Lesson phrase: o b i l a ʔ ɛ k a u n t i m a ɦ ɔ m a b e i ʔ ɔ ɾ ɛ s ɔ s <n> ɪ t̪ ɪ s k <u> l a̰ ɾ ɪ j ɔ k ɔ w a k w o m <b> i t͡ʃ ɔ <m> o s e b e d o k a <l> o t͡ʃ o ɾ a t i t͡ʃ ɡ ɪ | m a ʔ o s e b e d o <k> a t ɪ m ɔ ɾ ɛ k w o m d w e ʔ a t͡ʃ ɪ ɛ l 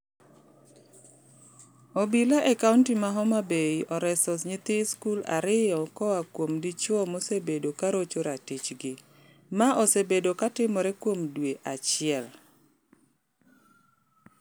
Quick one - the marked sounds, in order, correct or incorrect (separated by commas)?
incorrect, correct, incorrect, correct, incorrect, correct